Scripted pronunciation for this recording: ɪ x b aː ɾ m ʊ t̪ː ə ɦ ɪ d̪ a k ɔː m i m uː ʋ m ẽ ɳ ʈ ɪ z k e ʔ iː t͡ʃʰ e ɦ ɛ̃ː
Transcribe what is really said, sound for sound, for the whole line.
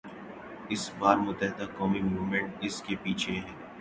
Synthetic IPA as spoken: ɪ s b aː ɾ m ʊ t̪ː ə ɦ ɪ d̪ a k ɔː m i m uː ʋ m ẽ ɳ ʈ ɪ s k e p iː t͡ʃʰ e ɦ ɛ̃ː